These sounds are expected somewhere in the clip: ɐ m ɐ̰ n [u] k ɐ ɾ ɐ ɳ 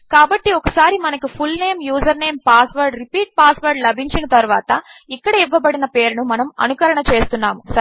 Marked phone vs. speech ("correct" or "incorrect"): correct